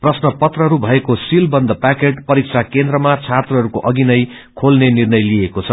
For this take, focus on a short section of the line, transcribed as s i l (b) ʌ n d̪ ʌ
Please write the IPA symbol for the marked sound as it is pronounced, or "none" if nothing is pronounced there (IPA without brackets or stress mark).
b